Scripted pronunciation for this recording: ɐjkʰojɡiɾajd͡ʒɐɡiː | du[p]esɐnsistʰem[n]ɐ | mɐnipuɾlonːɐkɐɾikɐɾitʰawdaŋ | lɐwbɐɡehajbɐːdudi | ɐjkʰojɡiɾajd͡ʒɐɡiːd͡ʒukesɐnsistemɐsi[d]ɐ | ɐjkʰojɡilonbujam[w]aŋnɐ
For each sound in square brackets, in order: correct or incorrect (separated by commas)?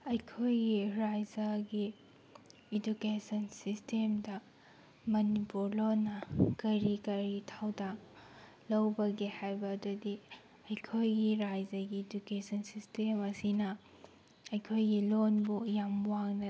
incorrect, incorrect, incorrect, correct